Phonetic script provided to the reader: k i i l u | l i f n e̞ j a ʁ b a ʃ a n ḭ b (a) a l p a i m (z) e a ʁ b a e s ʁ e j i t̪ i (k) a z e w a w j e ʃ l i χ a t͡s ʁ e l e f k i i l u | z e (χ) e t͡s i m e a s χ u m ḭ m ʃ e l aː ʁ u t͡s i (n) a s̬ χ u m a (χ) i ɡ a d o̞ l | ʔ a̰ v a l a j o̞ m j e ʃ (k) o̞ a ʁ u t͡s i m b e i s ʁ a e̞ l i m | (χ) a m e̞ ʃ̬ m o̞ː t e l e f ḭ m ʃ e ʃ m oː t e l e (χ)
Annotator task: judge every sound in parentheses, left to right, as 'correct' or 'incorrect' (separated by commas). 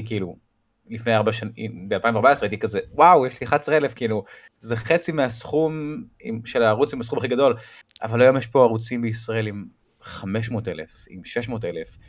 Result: incorrect, incorrect, correct, correct, incorrect, correct, incorrect, correct, incorrect